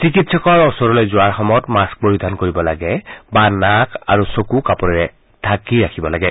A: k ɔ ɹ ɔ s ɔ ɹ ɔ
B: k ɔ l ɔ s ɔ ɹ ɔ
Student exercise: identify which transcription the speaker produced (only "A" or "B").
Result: A